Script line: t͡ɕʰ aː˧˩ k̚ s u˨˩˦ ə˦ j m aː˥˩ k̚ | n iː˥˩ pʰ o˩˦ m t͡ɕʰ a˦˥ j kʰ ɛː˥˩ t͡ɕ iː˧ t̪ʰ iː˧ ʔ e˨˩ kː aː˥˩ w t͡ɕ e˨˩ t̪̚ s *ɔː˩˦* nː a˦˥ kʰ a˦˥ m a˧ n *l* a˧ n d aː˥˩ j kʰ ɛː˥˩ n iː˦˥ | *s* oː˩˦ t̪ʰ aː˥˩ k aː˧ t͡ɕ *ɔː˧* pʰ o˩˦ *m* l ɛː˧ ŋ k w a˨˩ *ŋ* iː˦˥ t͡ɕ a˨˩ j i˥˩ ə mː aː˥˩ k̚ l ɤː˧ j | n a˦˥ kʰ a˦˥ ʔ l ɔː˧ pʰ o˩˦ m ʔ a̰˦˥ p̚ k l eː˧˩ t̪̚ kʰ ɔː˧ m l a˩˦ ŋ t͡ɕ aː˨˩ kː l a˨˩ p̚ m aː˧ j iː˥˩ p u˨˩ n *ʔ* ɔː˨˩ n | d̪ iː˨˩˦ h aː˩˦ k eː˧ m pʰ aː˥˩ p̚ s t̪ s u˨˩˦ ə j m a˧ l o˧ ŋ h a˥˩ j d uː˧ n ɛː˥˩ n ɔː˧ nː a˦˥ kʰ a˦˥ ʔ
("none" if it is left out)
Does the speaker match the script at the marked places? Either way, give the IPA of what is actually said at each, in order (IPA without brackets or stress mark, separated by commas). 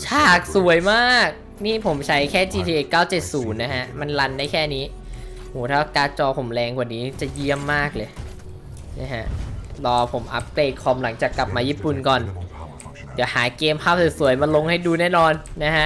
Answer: uː˩˦, l, h, ɔː˧, m, n, k